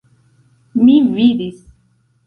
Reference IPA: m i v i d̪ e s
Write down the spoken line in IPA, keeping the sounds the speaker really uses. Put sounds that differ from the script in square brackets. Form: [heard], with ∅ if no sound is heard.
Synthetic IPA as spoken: m i v i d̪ [i] s